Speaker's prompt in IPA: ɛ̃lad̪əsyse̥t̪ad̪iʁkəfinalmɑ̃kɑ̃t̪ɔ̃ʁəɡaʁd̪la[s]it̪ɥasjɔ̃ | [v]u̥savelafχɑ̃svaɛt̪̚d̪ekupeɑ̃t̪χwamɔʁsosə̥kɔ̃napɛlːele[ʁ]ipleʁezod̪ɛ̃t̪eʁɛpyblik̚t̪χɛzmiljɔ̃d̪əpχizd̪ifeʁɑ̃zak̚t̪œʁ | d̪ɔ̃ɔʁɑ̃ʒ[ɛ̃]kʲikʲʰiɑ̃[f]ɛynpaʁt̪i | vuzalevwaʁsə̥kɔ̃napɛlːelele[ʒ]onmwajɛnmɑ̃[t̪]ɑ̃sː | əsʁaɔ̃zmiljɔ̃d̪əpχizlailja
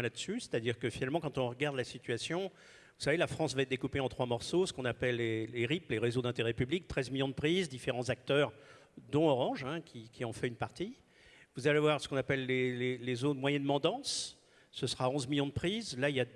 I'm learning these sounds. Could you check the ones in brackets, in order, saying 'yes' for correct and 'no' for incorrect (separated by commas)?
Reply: yes, yes, yes, yes, yes, no, no